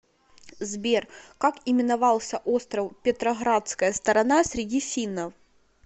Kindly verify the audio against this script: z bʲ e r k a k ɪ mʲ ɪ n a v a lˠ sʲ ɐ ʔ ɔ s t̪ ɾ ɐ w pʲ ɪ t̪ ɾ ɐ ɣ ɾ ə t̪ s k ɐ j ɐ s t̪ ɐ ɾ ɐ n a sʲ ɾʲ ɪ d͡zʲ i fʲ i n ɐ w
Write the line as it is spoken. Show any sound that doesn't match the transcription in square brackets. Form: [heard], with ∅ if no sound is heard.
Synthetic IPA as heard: z bʲ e r k a k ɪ mʲ ɪ n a v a lˠ sʲ ɐ ʔ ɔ s t̪ ɾ ɐ w pʲ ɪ t̪ ɾ ɐ ɣ ɾ [a] t̪ s k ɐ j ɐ s t̪ ɐ ɾ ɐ n a sʲ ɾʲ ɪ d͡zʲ i fʲ i n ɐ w